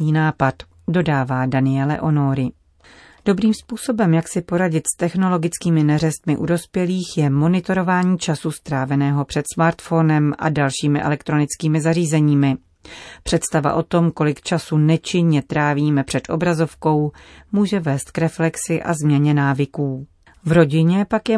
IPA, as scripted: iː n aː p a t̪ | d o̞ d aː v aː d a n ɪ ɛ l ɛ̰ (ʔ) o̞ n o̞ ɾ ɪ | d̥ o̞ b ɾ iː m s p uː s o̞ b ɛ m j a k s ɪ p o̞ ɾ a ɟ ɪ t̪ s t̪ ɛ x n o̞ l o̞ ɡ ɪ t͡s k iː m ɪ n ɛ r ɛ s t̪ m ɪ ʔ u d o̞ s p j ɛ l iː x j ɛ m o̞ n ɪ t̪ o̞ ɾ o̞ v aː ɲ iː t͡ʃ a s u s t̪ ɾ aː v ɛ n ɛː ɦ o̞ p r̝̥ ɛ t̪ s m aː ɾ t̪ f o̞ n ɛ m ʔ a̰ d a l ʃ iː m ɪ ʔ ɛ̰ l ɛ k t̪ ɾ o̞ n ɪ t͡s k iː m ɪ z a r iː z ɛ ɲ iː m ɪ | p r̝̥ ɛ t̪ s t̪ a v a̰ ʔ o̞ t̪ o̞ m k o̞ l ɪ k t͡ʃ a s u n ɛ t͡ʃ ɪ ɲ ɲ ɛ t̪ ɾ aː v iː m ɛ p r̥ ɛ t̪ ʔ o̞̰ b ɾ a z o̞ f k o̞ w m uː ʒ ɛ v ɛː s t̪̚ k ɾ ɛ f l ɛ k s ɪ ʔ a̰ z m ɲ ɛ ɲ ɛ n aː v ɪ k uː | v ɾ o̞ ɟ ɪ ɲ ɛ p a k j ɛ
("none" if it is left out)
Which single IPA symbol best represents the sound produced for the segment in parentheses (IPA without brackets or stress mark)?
ʔ